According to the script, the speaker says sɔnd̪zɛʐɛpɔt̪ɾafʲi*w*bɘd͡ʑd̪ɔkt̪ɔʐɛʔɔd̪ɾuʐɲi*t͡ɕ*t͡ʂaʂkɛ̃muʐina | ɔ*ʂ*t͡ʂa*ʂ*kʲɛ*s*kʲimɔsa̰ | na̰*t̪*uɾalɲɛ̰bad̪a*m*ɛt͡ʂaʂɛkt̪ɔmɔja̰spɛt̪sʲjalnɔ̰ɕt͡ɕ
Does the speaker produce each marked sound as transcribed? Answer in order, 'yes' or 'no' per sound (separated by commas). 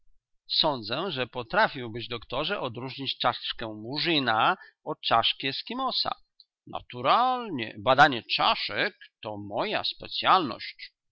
yes, yes, no, yes, yes, yes, no